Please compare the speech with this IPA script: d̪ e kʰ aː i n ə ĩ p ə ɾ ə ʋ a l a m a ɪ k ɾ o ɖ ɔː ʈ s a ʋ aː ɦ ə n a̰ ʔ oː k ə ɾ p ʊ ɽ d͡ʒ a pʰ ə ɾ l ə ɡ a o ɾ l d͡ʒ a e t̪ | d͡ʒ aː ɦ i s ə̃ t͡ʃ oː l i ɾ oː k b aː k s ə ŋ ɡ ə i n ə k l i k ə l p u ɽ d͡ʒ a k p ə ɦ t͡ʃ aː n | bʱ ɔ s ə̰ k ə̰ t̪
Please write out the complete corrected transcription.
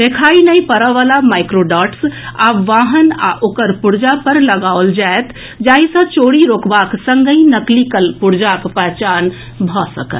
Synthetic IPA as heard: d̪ e kʰ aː i n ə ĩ p ə ɾ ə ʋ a l a m a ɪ k ɾ o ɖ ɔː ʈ s a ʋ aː ɦ ə n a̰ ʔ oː k ə ɾ p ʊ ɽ d͡ʒ a p ə ɾ l ə ɡ a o l d͡ʒ a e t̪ | d͡ʒ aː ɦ i s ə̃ t͡ʃ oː ɽ i ɾ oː k b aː k s ə ŋ ɡ ə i n ə k l i k ə l p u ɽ d͡ʒ a k p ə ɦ t͡ʃ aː n | bʱ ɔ s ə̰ k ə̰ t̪